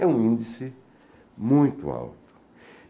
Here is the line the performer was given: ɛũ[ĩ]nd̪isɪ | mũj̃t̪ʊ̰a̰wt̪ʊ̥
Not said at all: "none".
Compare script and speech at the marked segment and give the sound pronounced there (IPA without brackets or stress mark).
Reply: ĩ